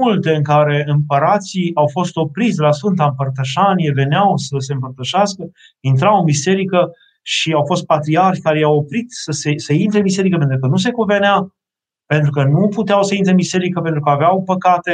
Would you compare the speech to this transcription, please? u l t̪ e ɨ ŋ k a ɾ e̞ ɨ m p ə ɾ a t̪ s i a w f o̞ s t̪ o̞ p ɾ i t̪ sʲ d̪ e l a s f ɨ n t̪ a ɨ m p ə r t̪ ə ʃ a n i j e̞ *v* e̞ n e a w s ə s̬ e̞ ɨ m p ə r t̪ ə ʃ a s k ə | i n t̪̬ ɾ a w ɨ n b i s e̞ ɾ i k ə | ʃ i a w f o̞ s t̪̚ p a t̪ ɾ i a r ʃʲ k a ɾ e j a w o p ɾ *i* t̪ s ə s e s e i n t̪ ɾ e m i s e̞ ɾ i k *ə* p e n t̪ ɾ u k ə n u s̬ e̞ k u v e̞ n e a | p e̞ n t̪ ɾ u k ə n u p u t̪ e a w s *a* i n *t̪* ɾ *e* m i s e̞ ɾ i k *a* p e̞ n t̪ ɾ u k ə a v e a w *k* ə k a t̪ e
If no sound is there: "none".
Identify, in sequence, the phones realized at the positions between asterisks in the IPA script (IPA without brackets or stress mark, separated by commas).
v, i, ə, ə, t̪, e, ə, p